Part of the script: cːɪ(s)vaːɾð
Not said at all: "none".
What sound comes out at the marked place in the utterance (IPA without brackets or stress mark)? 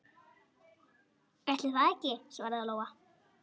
s